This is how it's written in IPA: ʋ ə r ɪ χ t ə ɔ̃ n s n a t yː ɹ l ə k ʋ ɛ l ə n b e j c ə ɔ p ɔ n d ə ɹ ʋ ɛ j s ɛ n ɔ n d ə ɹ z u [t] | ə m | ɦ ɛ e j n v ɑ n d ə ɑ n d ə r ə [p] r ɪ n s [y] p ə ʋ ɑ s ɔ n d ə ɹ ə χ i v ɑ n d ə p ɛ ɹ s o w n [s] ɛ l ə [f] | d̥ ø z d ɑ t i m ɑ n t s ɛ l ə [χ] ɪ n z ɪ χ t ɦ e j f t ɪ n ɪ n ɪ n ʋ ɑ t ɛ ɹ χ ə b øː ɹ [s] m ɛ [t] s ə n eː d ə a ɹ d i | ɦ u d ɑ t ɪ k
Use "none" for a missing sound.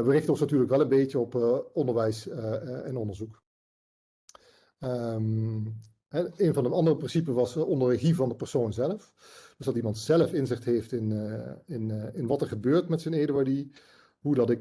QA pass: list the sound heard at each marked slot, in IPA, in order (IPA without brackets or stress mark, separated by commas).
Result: k, p, i, z, f, f, t, t